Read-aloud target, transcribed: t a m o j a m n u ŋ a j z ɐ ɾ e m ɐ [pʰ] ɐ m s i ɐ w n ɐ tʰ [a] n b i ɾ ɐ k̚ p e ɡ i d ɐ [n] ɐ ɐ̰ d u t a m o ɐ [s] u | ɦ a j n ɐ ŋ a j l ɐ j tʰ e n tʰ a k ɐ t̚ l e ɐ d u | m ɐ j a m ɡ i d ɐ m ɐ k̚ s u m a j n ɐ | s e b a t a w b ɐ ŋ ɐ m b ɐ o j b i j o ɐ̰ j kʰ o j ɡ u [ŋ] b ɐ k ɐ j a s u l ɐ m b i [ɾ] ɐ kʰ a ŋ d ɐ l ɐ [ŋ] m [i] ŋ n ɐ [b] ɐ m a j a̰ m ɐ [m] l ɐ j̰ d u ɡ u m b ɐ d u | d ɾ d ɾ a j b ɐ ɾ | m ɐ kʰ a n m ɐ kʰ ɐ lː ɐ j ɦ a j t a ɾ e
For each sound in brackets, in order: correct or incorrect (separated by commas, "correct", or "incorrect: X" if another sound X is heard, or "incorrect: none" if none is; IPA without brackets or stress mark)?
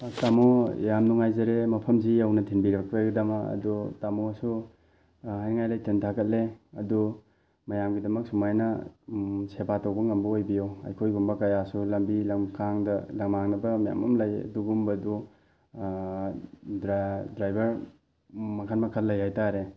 correct, incorrect: i, incorrect: m, correct, incorrect: m, incorrect: l, correct, incorrect: a, correct, correct